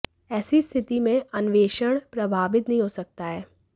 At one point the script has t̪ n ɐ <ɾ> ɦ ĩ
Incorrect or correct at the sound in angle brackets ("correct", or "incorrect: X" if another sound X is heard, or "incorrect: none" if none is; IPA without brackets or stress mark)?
incorrect: none